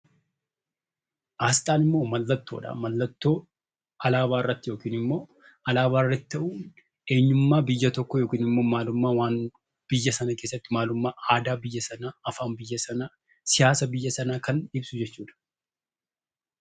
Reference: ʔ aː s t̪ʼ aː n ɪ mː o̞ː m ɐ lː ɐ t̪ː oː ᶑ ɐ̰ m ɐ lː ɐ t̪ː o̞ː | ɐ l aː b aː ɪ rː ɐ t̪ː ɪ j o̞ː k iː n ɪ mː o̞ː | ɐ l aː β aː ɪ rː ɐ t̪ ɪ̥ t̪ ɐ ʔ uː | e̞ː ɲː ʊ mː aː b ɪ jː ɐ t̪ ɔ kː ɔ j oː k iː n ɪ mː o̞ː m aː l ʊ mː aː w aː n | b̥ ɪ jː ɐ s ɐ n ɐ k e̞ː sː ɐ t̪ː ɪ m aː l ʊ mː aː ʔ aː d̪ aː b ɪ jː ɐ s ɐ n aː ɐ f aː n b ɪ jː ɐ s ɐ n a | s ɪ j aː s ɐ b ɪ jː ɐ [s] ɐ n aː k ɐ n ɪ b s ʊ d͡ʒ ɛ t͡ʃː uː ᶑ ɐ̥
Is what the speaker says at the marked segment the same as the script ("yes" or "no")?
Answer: yes